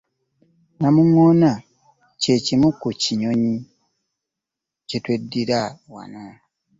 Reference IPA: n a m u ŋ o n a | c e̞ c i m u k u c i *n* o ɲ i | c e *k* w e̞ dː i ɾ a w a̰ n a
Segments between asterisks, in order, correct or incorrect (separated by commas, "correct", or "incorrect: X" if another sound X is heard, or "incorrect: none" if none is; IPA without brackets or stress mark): incorrect: ɲ, incorrect: t